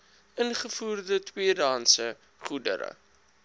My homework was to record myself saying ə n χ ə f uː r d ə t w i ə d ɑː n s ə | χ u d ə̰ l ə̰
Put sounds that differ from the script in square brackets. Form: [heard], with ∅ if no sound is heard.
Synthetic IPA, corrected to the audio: ə n χ ə f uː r d ə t w i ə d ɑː n s ə | χ u d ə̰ [ɾ] ə̰